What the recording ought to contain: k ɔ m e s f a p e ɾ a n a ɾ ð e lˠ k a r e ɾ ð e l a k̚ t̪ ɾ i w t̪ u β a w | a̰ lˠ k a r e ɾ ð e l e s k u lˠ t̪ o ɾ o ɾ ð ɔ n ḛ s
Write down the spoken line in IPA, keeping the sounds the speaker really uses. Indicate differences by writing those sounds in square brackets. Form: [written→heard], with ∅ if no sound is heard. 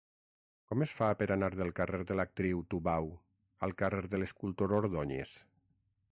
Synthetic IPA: k ɔ m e s f a p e ɾ a n a ɾ ð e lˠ k a r e ɾ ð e l a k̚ t̪ ɾ i w t̪ u β a w | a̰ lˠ k a r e ɾ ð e l e s k u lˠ t̪ o ɾ o ɾ ð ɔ [n→ɲ] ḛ s